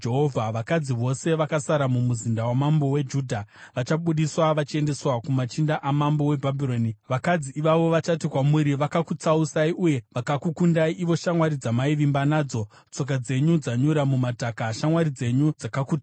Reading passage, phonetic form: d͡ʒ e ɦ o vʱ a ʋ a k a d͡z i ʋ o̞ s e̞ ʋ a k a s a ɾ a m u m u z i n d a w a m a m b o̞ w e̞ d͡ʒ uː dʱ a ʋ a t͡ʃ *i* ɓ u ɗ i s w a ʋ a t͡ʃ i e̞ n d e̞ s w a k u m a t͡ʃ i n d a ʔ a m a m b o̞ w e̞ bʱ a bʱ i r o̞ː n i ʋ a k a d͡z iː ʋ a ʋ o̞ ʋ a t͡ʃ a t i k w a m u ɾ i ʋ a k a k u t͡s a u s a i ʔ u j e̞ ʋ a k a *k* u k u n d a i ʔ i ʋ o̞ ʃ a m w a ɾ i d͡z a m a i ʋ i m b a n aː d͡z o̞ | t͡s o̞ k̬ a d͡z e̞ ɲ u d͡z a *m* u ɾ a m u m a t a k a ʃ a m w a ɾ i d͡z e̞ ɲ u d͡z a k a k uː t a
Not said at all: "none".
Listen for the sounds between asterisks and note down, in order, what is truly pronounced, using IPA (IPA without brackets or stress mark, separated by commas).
a, k, ɲ